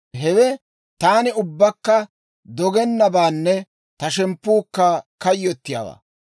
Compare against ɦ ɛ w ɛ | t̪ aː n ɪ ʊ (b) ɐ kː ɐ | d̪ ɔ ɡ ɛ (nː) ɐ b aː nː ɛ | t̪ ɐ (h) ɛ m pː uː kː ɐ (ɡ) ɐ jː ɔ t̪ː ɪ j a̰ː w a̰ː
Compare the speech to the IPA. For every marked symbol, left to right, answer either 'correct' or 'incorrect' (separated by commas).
incorrect, correct, incorrect, incorrect